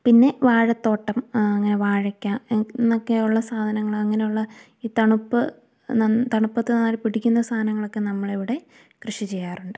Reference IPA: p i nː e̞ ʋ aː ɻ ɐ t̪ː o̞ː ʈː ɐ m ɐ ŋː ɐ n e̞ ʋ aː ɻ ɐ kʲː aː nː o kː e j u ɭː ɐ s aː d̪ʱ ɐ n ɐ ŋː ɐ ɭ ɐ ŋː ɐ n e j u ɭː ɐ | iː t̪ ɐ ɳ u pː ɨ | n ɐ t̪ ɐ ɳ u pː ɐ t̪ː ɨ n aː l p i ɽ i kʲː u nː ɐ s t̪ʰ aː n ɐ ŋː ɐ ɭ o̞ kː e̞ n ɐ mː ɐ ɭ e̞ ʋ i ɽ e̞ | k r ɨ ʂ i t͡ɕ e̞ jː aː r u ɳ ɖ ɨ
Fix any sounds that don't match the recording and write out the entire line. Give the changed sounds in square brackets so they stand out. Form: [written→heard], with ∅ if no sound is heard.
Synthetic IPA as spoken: p i nː e̞ ʋ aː ɻ ɐ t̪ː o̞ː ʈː ɐ m ɐ ŋː ɐ n e̞ ʋ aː ɻ ɐ kʲː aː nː o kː e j u ɭː ɐ s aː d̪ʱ ɐ n ɐ ŋː ɐ ɭ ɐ ŋː ɐ n e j u ɭː ɐ | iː t̪ ɐ ɳ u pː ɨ | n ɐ t̪ ɐ ɳ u pː ɐ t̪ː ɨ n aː l p i ɽ i kʲː u nː ɐ s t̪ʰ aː n ɐ ŋː ɐ ɭ o̞ kː e̞ n ɐ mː ɐ ɭ e̞ ʋ i ɽ e̞ | k r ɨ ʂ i t͡ɕ e̞ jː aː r u ɳ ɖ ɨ